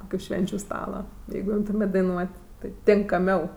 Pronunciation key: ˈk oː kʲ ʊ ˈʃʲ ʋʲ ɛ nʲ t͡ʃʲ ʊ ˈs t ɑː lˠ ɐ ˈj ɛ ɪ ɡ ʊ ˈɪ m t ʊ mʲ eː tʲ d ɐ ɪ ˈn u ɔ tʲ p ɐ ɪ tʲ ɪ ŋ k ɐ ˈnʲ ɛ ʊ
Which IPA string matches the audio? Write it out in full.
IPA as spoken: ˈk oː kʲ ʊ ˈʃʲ ʋʲ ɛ nʲ t͡ʃʲ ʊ ˈs t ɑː lˠ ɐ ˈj ɛ ɪ ɡ ʊ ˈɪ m t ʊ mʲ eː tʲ d ɐ ɪ ˈn u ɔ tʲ t ɐ ɪ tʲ ɪ ŋ k ɐ ˈmʲ ɛ ʊ